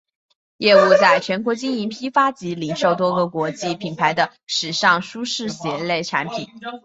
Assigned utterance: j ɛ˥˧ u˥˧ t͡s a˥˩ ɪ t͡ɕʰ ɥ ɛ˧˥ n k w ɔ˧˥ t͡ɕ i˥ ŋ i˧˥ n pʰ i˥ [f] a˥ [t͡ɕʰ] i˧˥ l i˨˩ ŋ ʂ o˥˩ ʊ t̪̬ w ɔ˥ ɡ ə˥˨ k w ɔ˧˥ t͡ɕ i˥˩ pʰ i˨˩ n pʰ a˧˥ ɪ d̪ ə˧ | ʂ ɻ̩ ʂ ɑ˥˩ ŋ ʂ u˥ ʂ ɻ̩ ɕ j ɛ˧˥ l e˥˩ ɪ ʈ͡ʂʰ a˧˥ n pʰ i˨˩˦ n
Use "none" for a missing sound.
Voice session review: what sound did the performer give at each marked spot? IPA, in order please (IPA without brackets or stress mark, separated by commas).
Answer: f, t͡ɕ